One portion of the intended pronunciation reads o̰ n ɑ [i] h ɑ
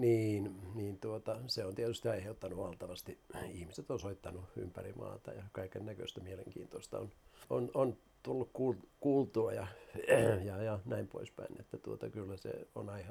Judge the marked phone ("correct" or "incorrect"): correct